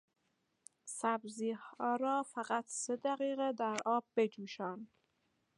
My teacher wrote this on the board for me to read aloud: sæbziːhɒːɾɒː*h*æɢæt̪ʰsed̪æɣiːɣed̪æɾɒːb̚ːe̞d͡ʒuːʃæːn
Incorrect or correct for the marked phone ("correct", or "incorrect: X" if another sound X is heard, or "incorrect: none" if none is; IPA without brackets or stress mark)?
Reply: incorrect: f